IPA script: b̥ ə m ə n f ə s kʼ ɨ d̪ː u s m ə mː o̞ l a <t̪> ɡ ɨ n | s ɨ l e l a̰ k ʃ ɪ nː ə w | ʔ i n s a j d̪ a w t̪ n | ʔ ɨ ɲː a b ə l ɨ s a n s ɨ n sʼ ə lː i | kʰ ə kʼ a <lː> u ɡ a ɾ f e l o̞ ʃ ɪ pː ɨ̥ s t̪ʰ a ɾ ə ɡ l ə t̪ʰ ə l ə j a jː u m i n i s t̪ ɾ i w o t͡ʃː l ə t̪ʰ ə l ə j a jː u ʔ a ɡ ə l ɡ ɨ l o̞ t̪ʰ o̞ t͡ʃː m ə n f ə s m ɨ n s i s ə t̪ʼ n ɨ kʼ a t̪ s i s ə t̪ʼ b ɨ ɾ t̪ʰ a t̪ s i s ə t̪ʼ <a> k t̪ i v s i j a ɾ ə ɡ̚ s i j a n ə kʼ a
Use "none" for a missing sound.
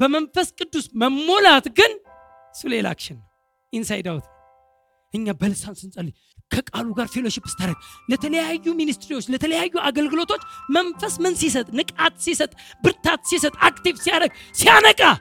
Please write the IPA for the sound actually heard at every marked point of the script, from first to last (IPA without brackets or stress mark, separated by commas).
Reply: t̪, l, a